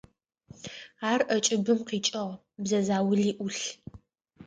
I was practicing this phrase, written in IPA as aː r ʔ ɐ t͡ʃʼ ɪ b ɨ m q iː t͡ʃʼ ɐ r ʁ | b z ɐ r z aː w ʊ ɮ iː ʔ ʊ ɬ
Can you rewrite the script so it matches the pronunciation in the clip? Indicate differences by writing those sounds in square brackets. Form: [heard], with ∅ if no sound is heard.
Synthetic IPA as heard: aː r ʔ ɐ t͡ʃʼ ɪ b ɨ m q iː t͡ʃʼ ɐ [∅] ʁ | b z ɐ [∅] z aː w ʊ ɮ iː ʔ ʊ ɬ